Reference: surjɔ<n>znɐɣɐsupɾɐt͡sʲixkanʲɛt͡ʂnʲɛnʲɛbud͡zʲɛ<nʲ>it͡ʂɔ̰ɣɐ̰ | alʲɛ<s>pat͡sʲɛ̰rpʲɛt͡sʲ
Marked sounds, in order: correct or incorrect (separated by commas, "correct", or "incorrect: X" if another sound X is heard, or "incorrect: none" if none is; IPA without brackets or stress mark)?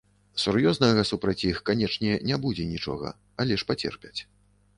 incorrect: none, correct, incorrect: ʂ